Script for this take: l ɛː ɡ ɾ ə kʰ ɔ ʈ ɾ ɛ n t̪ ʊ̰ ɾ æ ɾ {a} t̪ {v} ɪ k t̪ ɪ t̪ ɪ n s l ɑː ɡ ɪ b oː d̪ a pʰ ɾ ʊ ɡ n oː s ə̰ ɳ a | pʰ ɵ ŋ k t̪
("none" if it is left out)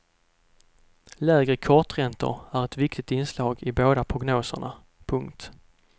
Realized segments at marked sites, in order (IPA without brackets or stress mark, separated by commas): ɛ, v